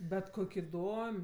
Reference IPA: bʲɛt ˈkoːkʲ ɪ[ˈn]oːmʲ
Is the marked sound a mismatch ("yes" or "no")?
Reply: yes